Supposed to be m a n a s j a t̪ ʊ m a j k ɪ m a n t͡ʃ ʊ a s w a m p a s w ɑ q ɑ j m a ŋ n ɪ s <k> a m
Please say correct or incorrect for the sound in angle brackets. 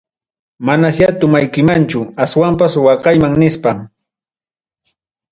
incorrect: p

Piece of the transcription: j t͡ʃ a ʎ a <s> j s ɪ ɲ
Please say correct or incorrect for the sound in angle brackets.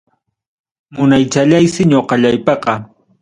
incorrect: none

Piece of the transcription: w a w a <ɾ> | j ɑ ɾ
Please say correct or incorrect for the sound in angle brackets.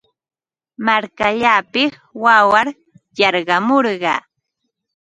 correct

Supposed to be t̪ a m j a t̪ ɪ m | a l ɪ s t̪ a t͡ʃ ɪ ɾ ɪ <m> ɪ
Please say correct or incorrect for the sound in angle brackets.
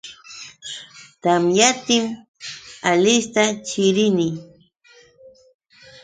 incorrect: n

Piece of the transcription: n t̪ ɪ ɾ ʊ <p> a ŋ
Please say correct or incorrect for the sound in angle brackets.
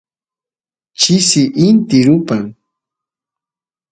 correct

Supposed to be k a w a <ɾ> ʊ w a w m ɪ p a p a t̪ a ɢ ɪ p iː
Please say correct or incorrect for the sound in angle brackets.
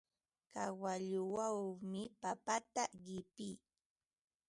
incorrect: ʎ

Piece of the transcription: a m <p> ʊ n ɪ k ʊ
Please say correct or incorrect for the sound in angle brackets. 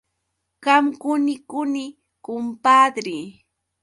incorrect: k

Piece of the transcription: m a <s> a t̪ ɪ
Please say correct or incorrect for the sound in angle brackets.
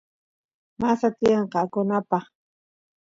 correct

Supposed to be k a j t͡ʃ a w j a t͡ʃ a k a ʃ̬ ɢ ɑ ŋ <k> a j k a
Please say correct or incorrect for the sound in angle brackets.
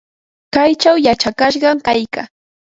correct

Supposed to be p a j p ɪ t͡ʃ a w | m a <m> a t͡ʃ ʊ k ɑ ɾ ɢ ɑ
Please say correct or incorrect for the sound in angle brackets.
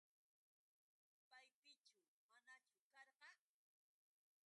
incorrect: n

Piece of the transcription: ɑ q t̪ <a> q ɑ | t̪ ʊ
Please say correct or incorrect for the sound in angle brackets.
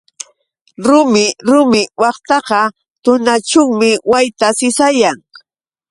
incorrect: ɑ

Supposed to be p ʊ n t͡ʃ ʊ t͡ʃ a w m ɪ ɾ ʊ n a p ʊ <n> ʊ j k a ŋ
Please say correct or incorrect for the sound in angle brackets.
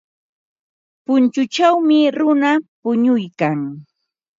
incorrect: ɲ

